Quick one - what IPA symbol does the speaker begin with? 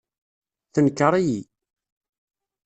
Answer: θ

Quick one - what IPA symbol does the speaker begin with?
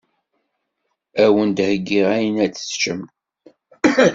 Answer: æ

